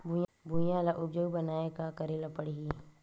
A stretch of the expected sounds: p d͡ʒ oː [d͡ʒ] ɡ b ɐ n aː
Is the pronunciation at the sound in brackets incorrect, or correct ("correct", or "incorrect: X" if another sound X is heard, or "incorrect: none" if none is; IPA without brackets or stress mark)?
incorrect: none